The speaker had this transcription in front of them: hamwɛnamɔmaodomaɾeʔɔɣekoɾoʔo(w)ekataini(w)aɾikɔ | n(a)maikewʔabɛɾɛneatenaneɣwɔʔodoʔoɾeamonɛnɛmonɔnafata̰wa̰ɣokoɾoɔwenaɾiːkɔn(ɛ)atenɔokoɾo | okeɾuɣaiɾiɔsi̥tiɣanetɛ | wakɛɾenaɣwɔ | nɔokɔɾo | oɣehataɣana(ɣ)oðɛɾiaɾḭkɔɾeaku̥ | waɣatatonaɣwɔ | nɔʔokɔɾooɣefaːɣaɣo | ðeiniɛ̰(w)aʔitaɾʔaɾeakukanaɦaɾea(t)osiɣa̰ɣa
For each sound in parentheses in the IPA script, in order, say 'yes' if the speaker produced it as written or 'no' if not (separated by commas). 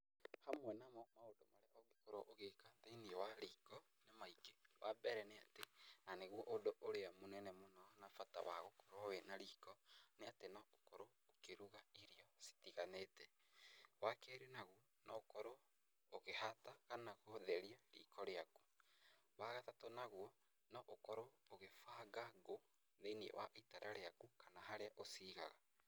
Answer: no, yes, no, no, yes, yes, no